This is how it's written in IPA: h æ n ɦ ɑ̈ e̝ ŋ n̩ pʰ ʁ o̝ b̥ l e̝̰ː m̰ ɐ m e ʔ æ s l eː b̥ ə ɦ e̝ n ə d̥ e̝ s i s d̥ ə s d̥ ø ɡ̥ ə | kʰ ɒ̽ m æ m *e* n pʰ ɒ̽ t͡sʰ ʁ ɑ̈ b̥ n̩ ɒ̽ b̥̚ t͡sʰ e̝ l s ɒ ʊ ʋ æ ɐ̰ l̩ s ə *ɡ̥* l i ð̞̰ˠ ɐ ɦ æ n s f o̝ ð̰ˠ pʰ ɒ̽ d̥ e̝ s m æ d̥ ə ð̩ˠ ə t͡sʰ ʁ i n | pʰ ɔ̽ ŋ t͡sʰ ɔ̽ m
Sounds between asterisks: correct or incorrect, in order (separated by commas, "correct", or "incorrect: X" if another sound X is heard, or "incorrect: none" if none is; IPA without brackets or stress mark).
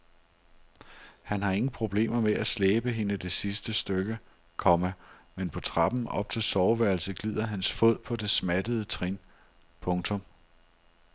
correct, correct